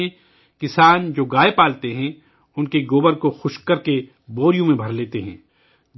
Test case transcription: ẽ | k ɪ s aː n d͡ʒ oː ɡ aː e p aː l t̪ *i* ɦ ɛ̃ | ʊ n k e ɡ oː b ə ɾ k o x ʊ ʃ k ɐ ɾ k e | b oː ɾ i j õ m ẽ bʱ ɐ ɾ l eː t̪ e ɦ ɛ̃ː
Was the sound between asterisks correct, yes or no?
no